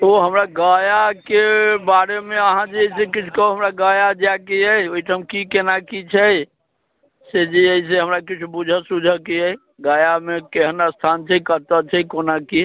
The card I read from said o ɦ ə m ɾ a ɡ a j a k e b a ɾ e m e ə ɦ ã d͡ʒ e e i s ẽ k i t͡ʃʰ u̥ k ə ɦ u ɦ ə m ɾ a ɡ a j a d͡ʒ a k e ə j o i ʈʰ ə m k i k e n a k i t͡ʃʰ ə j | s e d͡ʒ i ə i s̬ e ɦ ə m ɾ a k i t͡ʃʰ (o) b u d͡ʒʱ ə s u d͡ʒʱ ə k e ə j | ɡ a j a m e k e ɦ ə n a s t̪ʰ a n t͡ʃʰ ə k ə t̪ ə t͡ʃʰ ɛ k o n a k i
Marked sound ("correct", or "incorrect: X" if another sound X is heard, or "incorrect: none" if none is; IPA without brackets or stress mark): incorrect: u